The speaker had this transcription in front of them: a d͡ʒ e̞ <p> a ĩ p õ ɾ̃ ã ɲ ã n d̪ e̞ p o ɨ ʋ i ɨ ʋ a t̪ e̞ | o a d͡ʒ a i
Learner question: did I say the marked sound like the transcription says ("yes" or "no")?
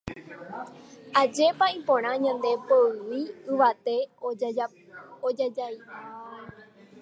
yes